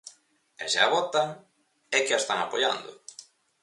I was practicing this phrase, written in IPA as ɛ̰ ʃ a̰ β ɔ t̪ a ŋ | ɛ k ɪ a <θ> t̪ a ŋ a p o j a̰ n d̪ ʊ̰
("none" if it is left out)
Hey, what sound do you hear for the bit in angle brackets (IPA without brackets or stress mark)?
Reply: s